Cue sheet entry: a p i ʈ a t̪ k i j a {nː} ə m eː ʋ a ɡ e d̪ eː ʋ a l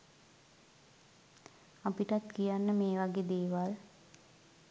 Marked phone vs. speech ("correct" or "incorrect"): correct